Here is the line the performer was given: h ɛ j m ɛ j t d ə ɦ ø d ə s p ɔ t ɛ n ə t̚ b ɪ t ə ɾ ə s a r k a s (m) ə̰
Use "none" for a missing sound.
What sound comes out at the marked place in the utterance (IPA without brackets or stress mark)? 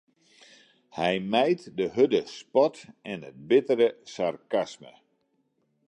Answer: m